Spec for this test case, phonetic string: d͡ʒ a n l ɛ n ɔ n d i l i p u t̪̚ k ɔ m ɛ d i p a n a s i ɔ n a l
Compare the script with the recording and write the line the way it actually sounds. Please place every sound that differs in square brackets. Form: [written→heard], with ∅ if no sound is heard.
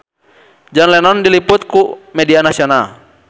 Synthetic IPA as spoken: d͡ʒ a n l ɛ n ɔ n d i l i p u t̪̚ k [ɔ→u] m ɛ d i [p→∅] a n a s i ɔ n a l

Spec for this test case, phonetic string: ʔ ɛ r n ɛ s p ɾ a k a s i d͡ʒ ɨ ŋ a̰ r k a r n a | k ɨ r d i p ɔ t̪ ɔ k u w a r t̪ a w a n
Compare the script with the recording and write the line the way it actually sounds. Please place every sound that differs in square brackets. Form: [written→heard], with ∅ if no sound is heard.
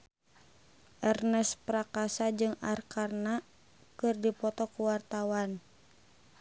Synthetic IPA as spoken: ʔ ɛ r n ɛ s p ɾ a k a s [i→a] d͡ʒ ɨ ŋ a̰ r k a r n a | k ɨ r d i p ɔ t̪ ɔ k u w a r t̪ a w a n

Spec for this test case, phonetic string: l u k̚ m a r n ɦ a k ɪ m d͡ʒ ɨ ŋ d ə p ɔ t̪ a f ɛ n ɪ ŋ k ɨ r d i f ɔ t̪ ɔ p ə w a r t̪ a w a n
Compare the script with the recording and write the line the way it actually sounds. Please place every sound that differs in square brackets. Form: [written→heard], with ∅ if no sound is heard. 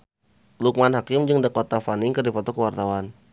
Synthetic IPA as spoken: l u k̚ m a [r→∅] n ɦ a k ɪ m d͡ʒ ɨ ŋ d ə [p→k] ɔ t̪ a f [ɛ→a] n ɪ ŋ k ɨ r d i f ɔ t̪ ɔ [p→k] ə w a r t̪ a w a n

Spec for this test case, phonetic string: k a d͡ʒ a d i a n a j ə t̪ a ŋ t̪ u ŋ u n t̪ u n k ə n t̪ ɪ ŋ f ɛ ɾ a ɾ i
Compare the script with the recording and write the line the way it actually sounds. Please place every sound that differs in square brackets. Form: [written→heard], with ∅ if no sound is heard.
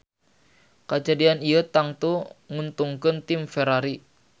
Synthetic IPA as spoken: k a d͡ʒ a d i a n [a→i] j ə t̪ a ŋ t̪ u ŋ u n t̪ u [n→ŋ] k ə n t̪ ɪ [ŋ→m] f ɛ ɾ a ɾ i

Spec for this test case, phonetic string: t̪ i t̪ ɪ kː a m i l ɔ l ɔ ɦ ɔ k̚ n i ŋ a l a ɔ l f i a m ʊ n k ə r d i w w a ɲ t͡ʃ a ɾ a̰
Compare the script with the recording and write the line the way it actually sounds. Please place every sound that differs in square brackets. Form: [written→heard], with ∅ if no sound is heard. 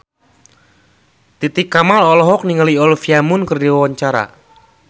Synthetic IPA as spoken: t̪ i t̪ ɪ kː a m [i→a] l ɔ l ɔ ɦ ɔ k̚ n i ŋ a l [a→i] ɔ l f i a m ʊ n k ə r d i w w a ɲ t͡ʃ a ɾ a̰

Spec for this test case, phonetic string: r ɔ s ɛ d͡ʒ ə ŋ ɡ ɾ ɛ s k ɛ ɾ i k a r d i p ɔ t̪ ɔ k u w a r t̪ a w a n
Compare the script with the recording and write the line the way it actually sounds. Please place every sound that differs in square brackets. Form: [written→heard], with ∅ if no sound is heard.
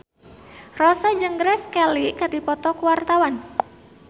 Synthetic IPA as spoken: r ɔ s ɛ d͡ʒ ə ŋ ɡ ɾ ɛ s k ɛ [ɾ→l] i k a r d i p ɔ t̪ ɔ k u w a r t̪ a w a n

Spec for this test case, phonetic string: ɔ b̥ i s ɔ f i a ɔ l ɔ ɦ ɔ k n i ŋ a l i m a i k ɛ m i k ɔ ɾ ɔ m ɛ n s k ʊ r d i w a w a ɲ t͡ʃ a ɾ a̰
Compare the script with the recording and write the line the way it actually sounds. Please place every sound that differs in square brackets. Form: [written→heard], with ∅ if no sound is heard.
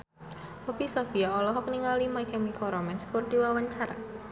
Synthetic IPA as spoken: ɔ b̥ i s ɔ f i a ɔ l ɔ ɦ ɔ k n i ŋ a l i m a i k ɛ m i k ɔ ɾ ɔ m ɛ n s k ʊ r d i w a w a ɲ t͡ʃ a ɾ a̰

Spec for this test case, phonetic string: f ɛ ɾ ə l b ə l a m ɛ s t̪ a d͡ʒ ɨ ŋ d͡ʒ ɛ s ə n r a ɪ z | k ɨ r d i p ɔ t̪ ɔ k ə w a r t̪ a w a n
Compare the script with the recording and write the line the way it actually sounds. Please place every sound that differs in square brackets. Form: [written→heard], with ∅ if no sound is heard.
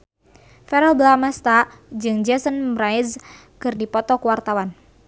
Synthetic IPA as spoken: f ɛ ɾ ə l b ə l a m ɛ s t̪ a d͡ʒ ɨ ŋ d͡ʒ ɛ s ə n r a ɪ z | k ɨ r d i p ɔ t̪ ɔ k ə w a r t̪ a w a n

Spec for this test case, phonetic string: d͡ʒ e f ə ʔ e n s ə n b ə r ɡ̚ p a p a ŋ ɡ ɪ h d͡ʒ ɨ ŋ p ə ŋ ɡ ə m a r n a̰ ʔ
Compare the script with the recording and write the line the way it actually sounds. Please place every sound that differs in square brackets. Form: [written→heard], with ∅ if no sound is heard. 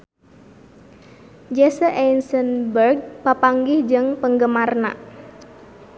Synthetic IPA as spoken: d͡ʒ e [f→s] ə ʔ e n s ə n b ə r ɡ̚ p a p a ŋ ɡ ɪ h d͡ʒ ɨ ŋ p ə ŋ ɡ ə m a r n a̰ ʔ

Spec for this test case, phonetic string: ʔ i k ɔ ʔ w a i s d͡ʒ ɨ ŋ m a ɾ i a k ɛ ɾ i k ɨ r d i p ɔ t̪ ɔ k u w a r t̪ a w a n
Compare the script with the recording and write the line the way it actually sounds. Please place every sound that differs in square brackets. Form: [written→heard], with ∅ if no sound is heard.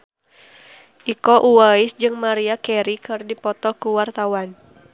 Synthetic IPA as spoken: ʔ i k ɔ ʔ [w→u] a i s d͡ʒ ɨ ŋ m a ɾ i a k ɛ ɾ i k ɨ r d i p ɔ t̪ ɔ k u w a r t̪ a w a n

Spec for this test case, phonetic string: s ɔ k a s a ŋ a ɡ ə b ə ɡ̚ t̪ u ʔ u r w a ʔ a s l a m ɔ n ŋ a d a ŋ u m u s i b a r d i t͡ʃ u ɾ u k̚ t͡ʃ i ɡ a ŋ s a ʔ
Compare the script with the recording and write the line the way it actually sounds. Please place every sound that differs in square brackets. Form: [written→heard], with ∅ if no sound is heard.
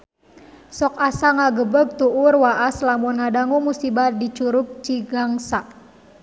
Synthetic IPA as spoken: s ɔ k a s a ŋ a ɡ ə b ə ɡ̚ t̪ u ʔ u r w a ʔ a s l a m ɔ n ŋ a d a ŋ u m u s i b a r d i t͡ʃ u ɾ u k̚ t͡ʃ i ɡ a ŋ s a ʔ

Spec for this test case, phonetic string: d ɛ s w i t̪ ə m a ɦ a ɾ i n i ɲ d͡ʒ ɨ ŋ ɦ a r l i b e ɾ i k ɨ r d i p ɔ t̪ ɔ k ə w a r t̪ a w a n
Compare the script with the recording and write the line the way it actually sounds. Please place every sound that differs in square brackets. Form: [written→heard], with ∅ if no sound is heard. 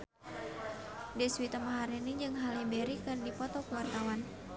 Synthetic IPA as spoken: d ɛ s w i t̪ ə m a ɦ a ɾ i n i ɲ d͡ʒ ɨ ŋ ɦ a [r→∅] l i b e ɾ i k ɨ r d i p ɔ t̪ ɔ k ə w a r t̪ a w a n

